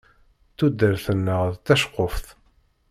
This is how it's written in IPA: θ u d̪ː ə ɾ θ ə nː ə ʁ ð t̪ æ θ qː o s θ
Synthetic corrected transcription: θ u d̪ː ə ɾ θ ə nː ə ʁ ð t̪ æ ʃ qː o f θ